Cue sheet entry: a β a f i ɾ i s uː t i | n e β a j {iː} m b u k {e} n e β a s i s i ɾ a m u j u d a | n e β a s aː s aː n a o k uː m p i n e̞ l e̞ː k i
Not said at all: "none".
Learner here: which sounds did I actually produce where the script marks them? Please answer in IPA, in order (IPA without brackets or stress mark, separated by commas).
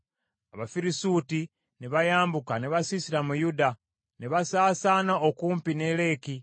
aː, a